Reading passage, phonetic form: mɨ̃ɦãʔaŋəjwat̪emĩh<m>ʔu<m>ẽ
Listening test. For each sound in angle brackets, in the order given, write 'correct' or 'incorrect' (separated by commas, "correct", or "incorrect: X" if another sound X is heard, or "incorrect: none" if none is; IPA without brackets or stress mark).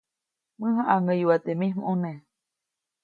correct, incorrect: n